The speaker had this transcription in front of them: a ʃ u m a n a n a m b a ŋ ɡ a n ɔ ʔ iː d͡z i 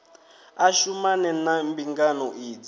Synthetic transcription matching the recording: a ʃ u m a n ɛ n a m b i ŋ ɡ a n ɔ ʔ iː d͡z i